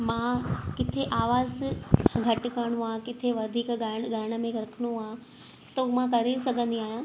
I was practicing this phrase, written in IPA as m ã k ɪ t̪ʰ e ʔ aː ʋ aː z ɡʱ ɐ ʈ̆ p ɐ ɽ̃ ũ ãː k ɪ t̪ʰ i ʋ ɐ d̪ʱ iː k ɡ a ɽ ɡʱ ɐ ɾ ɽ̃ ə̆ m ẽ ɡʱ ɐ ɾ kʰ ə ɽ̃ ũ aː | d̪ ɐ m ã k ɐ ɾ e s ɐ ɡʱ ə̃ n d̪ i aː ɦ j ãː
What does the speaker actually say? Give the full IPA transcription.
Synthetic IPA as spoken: m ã k ɪ t̪ʰ e ʔ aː ʋ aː z ɡʱ ɐ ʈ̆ k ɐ ɽ̃ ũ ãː k ɪ t̪ʰ e ʋ ɐ d̪ʱ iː k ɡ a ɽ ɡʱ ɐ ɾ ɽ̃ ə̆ m ẽ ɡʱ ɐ ɾ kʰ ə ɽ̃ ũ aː | t̪ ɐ m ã k ɐ ɾ e s ɐ ɡʱ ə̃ n d̪ i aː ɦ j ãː